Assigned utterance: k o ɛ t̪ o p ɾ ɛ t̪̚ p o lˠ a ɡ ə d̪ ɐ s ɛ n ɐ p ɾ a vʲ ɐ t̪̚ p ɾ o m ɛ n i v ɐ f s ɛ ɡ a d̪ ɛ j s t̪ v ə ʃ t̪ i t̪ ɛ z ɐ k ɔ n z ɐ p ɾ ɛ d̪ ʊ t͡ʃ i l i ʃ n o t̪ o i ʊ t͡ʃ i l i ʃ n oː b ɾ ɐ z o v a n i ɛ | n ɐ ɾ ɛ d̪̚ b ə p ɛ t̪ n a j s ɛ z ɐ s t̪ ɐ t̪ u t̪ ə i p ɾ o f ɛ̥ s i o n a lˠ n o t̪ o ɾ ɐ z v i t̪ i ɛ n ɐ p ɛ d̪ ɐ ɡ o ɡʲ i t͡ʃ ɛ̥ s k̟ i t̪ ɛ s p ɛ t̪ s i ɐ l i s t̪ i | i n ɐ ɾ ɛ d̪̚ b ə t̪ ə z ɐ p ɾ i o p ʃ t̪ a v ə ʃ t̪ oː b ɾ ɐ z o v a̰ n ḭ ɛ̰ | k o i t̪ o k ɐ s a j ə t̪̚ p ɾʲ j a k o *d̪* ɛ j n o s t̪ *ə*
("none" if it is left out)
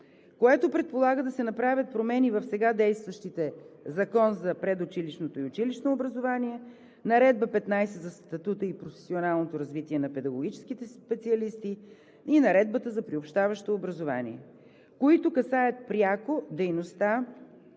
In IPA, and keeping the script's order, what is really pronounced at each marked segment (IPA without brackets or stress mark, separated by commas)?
d̪, a